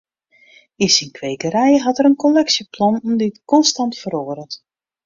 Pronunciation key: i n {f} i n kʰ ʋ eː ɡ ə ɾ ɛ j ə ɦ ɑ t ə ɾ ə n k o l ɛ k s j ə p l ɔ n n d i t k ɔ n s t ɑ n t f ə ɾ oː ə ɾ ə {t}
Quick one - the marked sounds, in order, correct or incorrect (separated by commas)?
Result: incorrect, correct